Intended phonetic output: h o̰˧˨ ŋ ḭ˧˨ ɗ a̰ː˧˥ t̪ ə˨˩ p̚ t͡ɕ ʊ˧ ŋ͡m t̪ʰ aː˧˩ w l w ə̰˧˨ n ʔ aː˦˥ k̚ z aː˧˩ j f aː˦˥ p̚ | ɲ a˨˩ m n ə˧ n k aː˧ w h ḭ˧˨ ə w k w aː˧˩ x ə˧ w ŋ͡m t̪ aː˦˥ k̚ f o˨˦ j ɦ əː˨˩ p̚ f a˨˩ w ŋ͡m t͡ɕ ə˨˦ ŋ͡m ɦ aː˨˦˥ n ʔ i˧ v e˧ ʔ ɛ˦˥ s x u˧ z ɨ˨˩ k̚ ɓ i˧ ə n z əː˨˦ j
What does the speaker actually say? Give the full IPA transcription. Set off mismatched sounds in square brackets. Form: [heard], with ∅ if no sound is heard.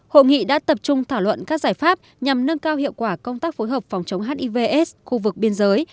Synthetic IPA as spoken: h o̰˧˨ ŋ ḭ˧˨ ɗ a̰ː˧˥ t̪ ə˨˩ p̚ t͡ɕ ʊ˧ ŋ͡m t̪ʰ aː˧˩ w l w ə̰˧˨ n [k] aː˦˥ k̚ z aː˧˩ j f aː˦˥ p̚ | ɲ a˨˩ m n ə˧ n k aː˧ w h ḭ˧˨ ə w k w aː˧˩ [k] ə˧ w ŋ͡m t̪ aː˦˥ k̚ f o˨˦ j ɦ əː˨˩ p̚ f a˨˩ w ŋ͡m t͡ɕ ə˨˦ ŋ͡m ɦ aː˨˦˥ n ʔ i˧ v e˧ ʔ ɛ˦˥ s x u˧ [v] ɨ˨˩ k̚ ɓ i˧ ə n z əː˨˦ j